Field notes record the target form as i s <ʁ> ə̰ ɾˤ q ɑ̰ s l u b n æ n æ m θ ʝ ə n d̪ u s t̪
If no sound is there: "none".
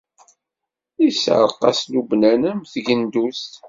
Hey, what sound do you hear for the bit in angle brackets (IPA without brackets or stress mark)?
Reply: ʕ